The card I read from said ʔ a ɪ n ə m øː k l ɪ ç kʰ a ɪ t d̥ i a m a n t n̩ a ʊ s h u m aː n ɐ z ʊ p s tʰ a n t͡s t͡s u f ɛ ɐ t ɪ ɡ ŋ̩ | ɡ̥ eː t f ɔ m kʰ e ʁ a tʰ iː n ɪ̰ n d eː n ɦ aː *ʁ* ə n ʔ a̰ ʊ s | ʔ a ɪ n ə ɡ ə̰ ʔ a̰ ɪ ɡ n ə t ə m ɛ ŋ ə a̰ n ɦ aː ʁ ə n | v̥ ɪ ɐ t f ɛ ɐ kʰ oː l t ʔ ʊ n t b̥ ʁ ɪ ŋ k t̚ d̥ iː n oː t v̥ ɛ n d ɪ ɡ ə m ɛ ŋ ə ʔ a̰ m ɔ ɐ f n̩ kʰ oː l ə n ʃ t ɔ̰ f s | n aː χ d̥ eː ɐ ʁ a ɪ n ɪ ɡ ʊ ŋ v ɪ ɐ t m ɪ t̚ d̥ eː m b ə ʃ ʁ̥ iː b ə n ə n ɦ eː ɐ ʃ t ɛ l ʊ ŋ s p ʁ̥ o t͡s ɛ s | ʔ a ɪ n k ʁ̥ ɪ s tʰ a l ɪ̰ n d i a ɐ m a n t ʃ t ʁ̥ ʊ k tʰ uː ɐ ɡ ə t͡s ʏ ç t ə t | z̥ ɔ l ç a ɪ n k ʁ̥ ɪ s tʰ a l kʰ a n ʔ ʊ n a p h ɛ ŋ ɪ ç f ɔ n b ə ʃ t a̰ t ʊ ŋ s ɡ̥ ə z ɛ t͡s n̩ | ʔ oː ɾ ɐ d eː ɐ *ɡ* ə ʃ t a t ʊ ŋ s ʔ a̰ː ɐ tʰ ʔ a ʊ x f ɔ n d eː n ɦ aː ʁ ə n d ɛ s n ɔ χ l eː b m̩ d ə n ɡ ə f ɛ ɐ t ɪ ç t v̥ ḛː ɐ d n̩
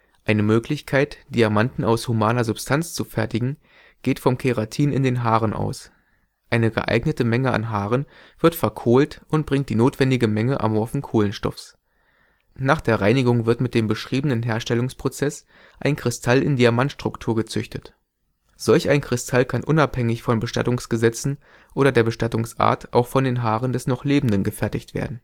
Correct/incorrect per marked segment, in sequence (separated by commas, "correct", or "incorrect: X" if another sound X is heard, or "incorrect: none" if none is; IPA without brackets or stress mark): correct, incorrect: b